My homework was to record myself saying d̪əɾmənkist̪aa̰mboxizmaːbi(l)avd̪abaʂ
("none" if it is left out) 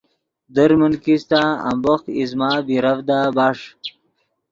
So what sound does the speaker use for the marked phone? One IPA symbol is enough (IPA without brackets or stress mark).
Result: ɾ